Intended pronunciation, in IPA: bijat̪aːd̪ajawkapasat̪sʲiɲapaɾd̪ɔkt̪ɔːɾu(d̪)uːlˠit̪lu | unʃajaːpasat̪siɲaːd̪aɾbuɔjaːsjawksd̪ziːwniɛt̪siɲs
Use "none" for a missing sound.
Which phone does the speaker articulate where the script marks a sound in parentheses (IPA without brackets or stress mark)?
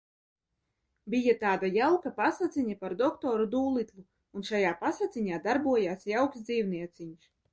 d̪